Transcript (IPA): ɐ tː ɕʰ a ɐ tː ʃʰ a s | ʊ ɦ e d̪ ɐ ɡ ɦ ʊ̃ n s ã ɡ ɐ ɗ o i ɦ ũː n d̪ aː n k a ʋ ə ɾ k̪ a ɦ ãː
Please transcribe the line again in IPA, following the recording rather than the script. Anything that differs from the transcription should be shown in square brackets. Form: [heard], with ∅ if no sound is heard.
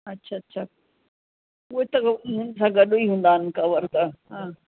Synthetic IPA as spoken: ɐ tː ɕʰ a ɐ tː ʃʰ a [∅] | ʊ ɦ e [t̪] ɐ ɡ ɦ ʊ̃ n s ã ɡ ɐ ɗ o i ɦ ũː n d̪ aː n k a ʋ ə ɾ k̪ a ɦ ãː